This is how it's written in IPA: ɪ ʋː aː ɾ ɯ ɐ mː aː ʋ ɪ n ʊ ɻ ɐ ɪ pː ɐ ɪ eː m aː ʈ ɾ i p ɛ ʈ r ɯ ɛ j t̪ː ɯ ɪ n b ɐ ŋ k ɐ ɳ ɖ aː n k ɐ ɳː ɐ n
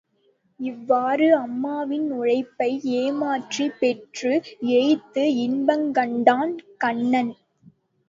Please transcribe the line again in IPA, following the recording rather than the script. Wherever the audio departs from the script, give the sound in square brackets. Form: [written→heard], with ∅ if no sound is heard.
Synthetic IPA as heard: ɪ ʋː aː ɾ ɯ ɐ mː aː ʋ ɪ n ʊ ɻ ɐ ɪ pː ɐ ɪ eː m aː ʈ [ɾ→r] i p ɛ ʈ r ɯ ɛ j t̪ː ɯ ɪ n b ɐ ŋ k ɐ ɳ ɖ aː n k ɐ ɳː ɐ n